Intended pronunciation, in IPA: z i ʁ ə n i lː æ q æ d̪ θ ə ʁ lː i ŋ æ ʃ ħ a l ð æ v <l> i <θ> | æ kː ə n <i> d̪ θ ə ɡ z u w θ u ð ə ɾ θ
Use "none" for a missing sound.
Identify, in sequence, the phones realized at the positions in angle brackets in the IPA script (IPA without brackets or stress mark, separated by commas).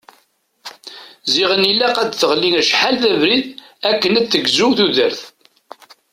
ɾ, ð, æ